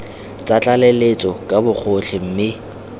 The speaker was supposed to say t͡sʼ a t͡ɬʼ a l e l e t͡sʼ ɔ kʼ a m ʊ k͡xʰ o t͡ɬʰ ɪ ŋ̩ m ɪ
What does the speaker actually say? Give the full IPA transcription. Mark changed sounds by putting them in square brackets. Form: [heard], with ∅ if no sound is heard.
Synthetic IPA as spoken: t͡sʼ a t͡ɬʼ a l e l e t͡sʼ ɔ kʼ a [b] ʊ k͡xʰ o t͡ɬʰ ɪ [m̩] m ɪ